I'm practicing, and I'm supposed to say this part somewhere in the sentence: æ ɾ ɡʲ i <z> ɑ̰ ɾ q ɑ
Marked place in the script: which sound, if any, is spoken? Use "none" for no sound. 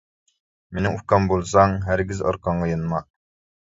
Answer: z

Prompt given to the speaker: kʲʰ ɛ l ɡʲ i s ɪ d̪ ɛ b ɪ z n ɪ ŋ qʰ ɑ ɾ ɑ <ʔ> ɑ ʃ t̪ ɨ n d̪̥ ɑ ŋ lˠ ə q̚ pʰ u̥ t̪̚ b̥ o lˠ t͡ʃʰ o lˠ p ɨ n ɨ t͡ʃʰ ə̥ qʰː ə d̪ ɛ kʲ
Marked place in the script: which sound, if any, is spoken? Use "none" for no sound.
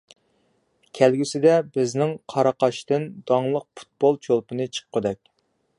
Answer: q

